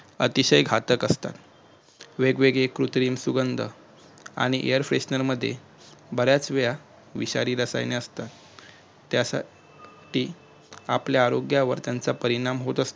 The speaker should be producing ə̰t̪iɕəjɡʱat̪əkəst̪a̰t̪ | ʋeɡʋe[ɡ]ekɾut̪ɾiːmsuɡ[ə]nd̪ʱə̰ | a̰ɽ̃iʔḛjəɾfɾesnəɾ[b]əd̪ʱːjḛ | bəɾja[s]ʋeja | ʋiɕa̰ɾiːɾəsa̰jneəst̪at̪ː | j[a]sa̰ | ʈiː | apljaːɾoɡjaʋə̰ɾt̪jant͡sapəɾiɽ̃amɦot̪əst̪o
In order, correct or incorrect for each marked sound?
correct, correct, incorrect, incorrect, correct

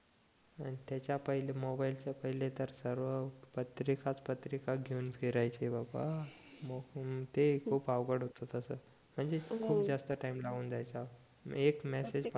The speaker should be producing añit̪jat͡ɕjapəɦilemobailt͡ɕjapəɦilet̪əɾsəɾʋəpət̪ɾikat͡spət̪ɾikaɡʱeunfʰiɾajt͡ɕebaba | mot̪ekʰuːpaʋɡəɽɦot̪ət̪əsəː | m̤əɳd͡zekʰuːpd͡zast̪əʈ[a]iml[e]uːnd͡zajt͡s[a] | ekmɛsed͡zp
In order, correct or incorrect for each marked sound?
correct, incorrect, correct

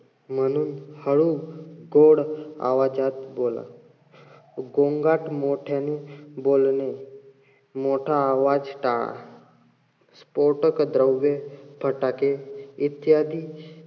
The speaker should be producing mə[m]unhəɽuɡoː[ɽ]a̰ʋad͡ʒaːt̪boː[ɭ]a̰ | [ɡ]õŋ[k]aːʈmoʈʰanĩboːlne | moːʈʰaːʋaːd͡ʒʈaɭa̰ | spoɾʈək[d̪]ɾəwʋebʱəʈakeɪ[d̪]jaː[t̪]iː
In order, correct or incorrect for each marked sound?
incorrect, correct, incorrect, correct, incorrect, correct, incorrect, incorrect

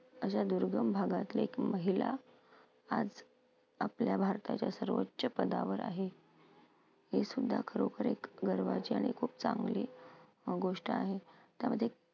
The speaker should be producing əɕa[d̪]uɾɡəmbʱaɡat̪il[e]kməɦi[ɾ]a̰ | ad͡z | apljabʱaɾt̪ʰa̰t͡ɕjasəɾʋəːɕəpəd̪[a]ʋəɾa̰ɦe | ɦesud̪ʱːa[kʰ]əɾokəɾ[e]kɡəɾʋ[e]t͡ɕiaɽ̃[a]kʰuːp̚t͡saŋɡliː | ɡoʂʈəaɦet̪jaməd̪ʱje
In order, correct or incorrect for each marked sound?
correct, correct, incorrect, correct, correct, correct, incorrect, incorrect

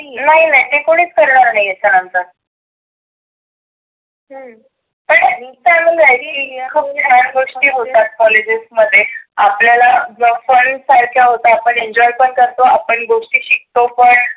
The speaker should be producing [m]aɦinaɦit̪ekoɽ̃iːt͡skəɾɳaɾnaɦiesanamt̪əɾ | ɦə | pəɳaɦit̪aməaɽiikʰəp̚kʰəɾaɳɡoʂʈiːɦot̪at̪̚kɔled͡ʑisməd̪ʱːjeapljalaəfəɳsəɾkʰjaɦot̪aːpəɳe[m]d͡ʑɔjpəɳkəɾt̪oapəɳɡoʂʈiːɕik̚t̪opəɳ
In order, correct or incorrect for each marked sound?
incorrect, incorrect

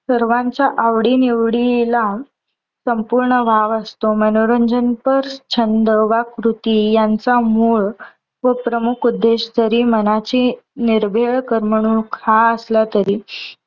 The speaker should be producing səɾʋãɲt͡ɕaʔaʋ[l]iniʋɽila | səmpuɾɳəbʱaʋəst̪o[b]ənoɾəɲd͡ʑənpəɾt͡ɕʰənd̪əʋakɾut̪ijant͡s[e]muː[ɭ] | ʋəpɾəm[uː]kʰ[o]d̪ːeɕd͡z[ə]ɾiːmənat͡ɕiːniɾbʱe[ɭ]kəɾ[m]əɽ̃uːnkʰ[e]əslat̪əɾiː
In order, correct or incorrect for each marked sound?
incorrect, incorrect, incorrect, correct, incorrect, incorrect, correct, correct, correct, incorrect

